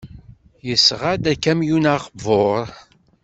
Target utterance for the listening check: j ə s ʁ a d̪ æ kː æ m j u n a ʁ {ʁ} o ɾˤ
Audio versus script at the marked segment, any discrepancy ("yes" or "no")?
yes